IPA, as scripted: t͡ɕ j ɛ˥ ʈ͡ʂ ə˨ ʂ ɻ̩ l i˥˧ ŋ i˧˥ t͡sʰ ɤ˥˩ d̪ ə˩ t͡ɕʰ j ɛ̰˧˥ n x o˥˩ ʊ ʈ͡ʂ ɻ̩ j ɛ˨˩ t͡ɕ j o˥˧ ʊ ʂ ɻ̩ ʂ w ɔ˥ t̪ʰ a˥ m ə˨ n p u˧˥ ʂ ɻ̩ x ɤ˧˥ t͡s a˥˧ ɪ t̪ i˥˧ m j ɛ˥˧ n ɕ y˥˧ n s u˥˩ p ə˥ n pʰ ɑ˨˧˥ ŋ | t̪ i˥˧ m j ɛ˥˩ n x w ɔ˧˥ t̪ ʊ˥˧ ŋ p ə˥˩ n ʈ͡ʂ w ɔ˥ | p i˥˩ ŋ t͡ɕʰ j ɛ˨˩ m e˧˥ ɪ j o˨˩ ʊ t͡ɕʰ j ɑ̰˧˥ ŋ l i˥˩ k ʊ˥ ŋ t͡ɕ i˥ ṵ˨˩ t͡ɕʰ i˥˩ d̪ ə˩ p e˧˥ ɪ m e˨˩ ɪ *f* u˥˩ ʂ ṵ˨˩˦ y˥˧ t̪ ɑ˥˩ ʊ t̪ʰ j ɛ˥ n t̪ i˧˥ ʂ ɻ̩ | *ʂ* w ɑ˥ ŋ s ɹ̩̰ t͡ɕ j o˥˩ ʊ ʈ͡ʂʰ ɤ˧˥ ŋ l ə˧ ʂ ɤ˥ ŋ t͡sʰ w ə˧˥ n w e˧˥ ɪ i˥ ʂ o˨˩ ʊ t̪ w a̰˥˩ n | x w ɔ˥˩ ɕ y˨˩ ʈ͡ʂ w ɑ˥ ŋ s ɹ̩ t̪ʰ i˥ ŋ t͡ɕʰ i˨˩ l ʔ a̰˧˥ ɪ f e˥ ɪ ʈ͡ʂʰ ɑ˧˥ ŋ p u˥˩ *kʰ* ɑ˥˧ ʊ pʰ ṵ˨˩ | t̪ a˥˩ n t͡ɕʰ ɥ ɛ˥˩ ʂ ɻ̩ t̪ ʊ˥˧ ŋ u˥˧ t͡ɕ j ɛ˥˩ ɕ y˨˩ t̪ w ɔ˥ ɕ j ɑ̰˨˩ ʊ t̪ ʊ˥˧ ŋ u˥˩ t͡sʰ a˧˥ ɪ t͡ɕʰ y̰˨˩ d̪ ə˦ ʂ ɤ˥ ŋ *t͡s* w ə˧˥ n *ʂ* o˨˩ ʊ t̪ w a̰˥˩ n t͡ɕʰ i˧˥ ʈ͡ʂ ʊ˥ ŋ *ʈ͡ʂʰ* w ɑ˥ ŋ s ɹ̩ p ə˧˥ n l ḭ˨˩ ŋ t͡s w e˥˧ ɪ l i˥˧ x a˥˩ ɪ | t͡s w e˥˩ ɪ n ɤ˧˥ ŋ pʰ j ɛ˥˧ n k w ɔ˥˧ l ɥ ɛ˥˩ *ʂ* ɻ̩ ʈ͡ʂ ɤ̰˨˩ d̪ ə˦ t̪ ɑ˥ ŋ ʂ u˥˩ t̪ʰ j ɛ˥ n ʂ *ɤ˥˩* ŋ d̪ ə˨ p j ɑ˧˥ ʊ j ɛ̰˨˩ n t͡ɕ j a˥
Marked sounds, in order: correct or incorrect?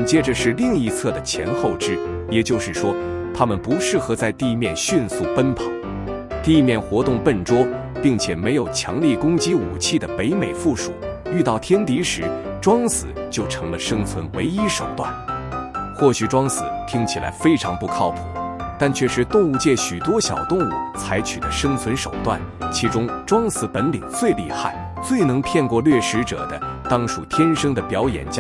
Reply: correct, incorrect: ʈ͡ʂ, correct, incorrect: t͡sʰ, correct, incorrect: ʈ͡ʂ, correct, incorrect: ɤ˥

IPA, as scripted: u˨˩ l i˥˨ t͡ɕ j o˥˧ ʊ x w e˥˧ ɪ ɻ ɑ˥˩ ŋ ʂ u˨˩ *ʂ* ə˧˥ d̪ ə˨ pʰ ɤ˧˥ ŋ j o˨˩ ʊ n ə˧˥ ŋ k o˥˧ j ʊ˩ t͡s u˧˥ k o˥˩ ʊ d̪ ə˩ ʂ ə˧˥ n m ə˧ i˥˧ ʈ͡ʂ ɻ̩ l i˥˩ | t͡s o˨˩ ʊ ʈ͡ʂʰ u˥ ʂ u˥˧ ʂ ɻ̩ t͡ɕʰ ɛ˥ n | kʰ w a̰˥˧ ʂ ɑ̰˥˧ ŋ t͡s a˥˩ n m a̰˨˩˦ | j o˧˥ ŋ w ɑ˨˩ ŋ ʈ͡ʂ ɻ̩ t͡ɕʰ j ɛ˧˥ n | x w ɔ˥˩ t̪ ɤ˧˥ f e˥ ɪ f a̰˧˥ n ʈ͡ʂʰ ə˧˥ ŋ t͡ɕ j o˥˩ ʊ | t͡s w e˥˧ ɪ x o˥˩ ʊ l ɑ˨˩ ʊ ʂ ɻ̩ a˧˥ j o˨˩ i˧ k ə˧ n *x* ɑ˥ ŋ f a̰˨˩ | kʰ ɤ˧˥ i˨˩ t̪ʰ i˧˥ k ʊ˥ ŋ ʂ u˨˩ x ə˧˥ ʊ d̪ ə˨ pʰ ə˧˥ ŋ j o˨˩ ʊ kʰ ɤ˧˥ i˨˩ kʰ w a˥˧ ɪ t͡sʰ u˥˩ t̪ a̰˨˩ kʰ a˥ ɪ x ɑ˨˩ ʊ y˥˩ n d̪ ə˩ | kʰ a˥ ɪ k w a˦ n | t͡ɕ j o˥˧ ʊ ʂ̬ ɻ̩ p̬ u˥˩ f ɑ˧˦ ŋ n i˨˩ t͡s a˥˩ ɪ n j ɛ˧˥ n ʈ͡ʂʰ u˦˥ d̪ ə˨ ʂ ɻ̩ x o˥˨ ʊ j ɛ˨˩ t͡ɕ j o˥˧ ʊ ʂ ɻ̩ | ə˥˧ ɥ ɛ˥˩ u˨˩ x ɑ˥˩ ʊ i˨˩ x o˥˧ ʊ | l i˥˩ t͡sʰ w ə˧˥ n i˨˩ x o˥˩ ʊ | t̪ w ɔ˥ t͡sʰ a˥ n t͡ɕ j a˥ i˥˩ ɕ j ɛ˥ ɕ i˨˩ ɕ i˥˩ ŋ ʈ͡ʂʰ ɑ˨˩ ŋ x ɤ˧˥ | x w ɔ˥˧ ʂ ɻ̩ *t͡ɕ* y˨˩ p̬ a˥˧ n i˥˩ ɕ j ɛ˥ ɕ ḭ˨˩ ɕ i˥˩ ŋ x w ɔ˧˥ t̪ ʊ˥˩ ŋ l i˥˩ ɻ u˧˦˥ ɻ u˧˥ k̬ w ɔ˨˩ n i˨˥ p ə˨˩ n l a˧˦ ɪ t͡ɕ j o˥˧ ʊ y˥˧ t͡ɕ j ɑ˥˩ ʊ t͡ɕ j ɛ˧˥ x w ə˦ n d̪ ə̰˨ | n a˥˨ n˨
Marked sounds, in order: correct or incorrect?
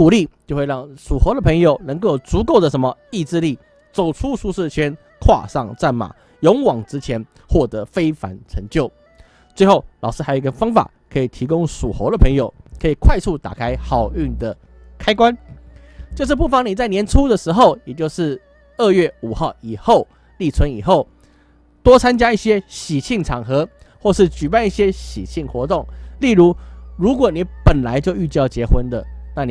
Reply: incorrect: x, incorrect: f, correct

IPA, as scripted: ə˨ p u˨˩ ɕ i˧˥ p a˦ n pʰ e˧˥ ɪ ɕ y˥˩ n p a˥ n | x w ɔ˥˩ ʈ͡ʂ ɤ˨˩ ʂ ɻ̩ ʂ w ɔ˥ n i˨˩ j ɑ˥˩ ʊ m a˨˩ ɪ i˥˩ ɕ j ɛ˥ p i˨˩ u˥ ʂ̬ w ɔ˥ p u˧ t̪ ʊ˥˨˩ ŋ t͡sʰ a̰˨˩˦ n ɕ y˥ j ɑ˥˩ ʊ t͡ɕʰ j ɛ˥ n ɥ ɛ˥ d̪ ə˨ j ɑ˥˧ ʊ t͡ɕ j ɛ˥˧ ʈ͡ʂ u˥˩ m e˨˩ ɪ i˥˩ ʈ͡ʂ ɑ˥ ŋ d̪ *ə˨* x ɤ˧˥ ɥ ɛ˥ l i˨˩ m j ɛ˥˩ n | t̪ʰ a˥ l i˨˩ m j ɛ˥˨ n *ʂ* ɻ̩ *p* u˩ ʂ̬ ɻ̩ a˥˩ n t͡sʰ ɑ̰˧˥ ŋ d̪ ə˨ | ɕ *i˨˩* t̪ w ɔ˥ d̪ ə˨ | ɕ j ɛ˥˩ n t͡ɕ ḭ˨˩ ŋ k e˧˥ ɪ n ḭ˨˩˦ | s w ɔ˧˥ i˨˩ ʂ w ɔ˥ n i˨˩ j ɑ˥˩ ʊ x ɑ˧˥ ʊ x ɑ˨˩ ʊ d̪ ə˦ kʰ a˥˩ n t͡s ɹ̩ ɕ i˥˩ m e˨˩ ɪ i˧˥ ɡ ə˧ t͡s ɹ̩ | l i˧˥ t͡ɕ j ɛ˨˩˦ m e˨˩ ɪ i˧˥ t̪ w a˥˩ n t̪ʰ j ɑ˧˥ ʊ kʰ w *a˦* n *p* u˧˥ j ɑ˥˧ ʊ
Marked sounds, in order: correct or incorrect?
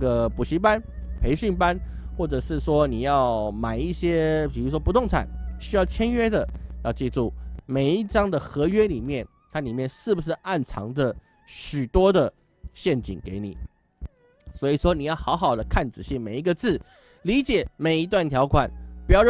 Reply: correct, correct, incorrect: b, incorrect: y˨˩, incorrect: a˨˩˦, correct

